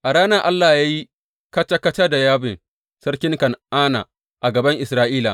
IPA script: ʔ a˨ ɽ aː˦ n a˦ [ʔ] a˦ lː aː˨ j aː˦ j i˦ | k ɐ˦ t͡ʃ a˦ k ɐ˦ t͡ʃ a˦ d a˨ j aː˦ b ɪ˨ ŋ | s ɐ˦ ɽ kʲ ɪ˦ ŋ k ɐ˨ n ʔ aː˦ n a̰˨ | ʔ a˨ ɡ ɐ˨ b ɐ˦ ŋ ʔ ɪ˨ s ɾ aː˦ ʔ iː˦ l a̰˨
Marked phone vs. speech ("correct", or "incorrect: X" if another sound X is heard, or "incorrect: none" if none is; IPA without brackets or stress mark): correct